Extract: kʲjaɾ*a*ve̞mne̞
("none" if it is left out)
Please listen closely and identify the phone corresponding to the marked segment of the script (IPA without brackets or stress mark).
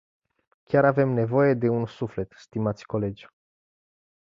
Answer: a